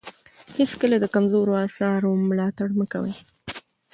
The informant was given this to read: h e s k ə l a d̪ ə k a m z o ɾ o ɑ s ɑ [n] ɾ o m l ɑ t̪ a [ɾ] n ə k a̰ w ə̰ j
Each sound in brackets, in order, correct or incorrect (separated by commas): incorrect, incorrect